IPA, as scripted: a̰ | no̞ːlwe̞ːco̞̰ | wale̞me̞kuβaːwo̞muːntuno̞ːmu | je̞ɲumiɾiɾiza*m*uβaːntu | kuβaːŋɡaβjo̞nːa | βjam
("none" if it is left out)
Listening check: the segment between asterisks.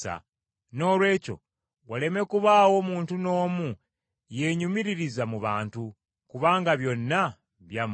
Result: m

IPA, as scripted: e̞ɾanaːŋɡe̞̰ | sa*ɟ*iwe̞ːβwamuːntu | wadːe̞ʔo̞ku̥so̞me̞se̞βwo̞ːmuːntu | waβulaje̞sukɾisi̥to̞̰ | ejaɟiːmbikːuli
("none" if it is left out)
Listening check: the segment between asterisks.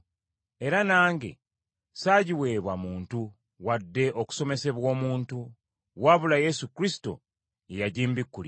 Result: ɟ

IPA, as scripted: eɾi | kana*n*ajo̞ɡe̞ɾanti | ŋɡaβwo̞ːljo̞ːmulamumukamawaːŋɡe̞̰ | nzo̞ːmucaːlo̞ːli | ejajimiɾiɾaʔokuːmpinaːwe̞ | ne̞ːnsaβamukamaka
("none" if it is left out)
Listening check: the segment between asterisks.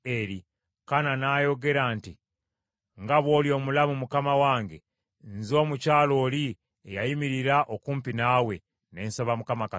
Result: n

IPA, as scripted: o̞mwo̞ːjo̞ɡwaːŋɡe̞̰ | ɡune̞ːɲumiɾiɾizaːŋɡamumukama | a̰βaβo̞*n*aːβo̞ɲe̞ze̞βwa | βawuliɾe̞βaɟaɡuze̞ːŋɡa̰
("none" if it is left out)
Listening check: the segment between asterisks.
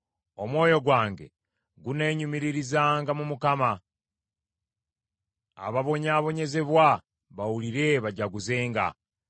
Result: ɲ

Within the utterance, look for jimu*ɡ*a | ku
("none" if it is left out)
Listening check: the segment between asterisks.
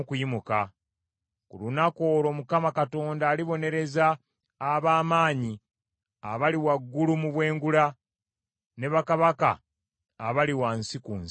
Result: k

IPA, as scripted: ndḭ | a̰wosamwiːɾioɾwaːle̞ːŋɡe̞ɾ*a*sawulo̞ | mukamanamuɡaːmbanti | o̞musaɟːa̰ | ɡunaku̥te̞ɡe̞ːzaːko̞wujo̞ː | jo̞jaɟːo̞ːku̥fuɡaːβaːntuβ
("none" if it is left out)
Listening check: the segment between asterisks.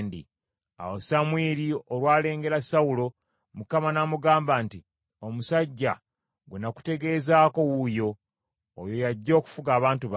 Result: a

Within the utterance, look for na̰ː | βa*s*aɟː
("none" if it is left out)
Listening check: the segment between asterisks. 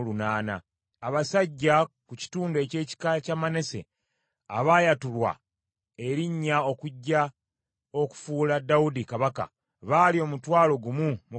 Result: s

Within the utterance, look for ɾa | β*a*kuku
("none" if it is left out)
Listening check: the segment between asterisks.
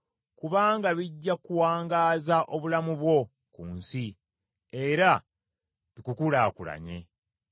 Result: i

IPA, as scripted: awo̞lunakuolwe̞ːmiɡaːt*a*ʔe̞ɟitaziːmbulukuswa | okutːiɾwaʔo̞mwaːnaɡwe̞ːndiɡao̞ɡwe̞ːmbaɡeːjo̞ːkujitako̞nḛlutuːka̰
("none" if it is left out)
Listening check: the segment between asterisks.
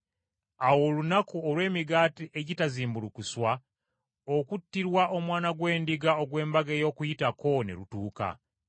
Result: i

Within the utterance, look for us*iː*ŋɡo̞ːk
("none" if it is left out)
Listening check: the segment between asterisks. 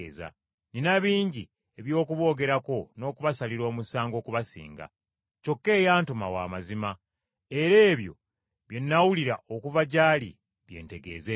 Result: aː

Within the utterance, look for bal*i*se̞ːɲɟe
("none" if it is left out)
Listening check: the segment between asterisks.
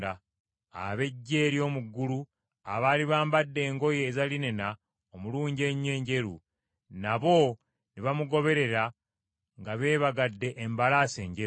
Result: a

